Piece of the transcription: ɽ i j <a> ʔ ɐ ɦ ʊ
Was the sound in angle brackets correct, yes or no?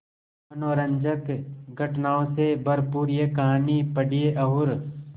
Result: no